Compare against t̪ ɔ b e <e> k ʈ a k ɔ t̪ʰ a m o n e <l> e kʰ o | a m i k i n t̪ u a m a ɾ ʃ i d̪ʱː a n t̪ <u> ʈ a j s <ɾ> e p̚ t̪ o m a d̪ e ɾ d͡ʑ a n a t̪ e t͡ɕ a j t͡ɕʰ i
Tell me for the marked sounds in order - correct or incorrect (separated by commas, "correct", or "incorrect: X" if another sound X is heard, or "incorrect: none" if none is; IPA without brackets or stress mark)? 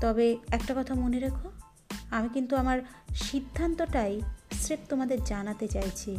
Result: incorrect: ɛ, incorrect: ɾ, incorrect: o, correct